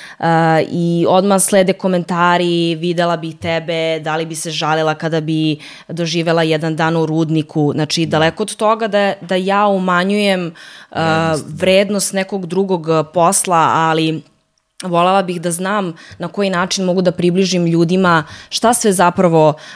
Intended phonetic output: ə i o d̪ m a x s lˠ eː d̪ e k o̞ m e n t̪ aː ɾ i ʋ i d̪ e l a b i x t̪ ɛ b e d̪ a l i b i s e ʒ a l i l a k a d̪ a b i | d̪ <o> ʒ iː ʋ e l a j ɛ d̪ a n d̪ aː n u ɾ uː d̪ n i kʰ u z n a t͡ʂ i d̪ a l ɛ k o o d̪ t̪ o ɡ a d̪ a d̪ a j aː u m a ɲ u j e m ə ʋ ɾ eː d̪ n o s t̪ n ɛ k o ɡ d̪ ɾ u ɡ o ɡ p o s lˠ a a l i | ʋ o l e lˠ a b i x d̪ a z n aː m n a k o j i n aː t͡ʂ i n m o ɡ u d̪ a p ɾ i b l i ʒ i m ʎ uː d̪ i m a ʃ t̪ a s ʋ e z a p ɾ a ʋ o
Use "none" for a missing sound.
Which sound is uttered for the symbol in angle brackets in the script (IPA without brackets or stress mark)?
o